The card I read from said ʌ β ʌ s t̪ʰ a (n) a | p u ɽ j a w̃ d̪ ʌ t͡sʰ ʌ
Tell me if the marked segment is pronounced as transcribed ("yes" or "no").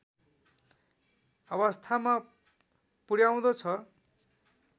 no